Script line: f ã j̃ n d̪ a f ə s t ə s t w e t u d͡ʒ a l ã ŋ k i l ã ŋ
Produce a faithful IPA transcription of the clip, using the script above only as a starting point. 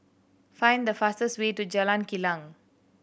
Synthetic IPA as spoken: f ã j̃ n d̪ ə f a s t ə s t w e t u d͡ʒ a l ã n k i l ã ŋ